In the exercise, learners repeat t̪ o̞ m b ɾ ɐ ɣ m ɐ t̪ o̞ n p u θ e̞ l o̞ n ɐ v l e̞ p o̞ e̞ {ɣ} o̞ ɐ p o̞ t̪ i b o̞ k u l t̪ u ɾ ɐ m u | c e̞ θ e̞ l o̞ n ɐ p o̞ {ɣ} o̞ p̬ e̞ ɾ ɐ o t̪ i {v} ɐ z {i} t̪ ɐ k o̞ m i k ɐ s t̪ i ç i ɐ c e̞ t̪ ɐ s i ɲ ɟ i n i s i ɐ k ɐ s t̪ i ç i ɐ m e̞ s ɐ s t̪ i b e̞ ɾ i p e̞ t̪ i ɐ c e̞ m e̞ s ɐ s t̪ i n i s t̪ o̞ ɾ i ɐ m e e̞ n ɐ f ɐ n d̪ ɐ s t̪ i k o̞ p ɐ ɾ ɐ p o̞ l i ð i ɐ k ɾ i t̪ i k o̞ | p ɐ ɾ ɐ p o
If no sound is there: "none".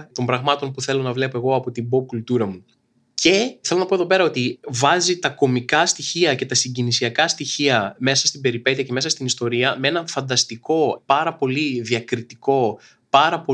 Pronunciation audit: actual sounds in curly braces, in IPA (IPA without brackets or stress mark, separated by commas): ɣ, ð, v, i